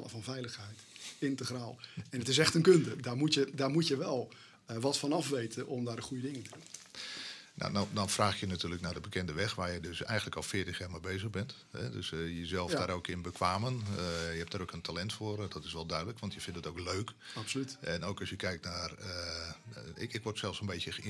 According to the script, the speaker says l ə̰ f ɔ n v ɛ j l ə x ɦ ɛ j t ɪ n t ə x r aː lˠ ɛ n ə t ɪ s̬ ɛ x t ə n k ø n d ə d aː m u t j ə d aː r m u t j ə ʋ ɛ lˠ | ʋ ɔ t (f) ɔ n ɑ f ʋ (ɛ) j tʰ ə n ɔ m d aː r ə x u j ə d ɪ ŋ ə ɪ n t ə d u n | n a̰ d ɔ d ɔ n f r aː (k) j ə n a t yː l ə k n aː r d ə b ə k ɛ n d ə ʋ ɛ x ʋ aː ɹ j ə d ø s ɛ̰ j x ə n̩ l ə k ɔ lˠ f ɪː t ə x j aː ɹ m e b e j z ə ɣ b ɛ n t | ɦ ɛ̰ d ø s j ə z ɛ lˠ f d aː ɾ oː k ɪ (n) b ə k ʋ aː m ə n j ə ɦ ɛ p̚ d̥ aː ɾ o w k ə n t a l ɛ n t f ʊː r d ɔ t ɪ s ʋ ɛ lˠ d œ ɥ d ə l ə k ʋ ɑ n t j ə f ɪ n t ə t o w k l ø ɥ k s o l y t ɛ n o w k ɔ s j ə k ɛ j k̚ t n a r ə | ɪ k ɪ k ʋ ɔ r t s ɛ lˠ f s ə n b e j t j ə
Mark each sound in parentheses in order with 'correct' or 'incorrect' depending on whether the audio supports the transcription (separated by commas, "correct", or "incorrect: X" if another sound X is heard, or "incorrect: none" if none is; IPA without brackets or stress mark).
correct, incorrect: e, incorrect: x, correct